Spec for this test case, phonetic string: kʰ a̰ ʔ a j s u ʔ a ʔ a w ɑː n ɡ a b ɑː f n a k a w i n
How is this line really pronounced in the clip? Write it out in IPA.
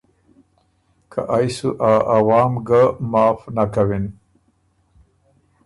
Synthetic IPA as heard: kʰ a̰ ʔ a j s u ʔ a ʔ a w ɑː m ɡ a m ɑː f n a k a w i n